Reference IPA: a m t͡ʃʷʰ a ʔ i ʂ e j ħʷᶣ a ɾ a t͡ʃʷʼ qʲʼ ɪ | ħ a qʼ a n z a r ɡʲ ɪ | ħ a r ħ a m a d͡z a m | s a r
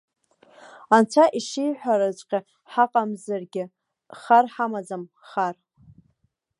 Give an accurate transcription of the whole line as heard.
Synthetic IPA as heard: a n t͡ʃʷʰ a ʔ i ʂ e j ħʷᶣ a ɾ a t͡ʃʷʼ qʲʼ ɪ | ħ a qʼ a m z a r ɡʲ ɪ | χ a r ħ a m a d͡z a m | χ a r